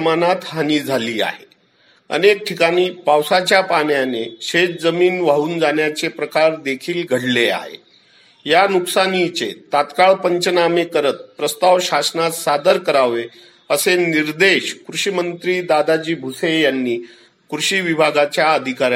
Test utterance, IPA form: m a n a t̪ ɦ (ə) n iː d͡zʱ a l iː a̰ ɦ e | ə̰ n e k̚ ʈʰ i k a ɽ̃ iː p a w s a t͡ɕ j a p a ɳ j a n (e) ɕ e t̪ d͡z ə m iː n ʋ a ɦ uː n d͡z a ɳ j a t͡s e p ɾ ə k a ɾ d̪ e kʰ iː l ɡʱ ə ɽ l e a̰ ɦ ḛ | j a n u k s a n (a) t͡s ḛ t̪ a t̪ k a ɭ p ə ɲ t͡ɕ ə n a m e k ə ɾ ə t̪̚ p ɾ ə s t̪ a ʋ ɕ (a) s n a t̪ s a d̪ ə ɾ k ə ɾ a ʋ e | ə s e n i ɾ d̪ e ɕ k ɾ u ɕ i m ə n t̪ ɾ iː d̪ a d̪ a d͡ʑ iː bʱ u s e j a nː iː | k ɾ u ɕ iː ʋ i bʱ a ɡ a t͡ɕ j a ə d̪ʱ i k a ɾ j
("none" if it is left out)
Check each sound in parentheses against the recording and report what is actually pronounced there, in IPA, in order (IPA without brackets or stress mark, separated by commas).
a, e, i, a